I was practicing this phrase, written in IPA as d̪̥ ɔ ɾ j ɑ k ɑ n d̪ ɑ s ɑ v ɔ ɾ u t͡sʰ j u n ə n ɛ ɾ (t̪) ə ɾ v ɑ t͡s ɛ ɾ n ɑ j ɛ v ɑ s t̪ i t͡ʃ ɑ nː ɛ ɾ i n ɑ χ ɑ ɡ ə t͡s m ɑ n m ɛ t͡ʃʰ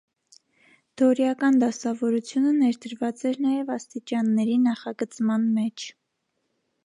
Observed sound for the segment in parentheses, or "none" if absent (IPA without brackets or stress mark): d̪